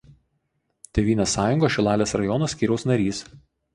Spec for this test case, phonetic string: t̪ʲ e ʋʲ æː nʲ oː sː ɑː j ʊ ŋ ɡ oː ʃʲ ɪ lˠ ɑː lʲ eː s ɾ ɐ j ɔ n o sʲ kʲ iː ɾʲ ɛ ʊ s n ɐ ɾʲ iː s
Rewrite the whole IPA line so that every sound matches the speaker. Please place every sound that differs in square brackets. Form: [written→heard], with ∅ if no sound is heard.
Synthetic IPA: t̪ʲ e ʋʲ [æː→iː] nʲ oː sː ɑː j ʊ ŋ ɡ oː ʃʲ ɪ lˠ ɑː lʲ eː s ɾ ɐ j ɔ n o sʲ kʲ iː ɾʲ ɛ ʊ s n ɐ ɾʲ iː s